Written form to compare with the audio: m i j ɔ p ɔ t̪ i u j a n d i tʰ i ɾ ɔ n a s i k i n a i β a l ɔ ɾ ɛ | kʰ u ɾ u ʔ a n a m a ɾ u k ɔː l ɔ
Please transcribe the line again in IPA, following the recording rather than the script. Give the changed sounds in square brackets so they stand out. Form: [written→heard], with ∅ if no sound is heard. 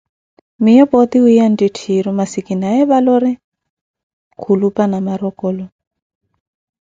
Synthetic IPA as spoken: m i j ɔ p ɔ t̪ i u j a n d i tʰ i ɾ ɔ [n→m] a s i k i n a [i→ɛ] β a l ɔ ɾ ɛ | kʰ u [ɾ→l] u [ʔ→p] a n a m a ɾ [u→ɔ] k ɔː l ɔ